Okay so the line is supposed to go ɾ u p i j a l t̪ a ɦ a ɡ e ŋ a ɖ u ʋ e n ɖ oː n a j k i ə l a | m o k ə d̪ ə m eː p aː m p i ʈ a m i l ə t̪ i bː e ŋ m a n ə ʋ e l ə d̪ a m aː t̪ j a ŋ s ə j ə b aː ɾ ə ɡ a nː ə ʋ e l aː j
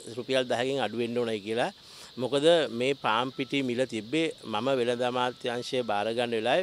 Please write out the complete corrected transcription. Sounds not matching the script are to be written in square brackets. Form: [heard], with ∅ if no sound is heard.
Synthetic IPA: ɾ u p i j a l [d̪] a ɦ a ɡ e ŋ a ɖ u ʋ e n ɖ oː n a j k i ə l a | m o k ə d̪ ə m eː p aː m p i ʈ [i] m i l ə t̪ i bː e [∅] m a [m] ə ʋ e l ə d̪ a m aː t̪ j a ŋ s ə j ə b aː ɾ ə ɡ a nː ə ʋ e l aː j